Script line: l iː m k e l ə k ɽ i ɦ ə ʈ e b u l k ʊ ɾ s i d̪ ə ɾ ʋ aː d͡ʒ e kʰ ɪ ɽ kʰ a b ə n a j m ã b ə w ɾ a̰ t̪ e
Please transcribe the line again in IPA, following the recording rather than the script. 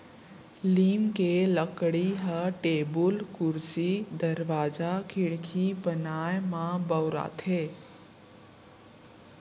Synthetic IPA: l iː m k e l ə k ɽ i ɦ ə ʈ e b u l k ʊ ɾ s i d̪ ə ɾ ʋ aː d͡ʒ a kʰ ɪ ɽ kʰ i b ə n a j m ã b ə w ɾ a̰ t̪ʰ e